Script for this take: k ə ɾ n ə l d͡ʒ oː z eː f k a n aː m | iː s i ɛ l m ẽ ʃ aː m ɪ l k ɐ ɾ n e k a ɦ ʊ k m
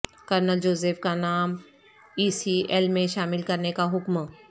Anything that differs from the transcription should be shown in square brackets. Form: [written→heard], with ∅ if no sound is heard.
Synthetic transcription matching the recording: k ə ɾ n ə l d͡ʒ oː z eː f k a n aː m | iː s i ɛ l m ẽ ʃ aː m ɪ l k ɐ ɾ n e k a ɦ ʊ k m